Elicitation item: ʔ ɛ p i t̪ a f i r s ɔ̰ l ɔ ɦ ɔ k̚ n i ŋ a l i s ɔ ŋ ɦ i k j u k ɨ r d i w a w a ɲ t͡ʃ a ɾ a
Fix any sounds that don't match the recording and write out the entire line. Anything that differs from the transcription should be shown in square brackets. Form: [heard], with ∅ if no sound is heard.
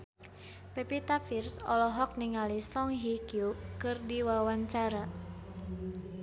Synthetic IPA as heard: [p] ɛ p i t̪ a f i r s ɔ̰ l ɔ ɦ ɔ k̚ n i ŋ a l i s ɔ ŋ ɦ i k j u k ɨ r d i w a w a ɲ t͡ʃ a ɾ a